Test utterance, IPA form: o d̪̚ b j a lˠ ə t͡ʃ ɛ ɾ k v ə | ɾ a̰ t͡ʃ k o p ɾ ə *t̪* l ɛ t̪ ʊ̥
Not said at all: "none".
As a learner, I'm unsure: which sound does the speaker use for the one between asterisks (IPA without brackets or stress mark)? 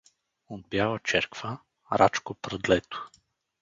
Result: d̪